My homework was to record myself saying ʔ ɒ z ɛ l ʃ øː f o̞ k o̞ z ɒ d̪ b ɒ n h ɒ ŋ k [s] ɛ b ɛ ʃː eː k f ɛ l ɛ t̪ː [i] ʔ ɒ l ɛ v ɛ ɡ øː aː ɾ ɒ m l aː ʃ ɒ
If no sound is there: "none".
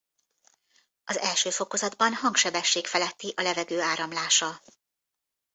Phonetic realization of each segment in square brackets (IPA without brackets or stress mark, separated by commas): ʃ, i